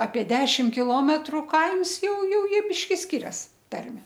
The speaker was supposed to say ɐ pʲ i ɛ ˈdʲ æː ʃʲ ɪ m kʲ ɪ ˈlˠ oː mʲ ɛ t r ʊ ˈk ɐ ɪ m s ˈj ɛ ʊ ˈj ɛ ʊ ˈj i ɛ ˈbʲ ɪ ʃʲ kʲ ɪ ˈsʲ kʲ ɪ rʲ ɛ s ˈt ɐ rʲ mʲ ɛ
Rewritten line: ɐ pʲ i ɛ ˈdʲ æː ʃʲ ɪ m kʲ ɪ ˈlˠ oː mʲ ɛ t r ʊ ˈk ɐ ɪ m s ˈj ɛ ʊ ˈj ɛ ʊ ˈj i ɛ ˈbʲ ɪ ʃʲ kʲ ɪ ˈsʲ kʲ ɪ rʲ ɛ s ˈt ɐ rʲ mʲ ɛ